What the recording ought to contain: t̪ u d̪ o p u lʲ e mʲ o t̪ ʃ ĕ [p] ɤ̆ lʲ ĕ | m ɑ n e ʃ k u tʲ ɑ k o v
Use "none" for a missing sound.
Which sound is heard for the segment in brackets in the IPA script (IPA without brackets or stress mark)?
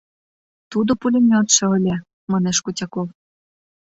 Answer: none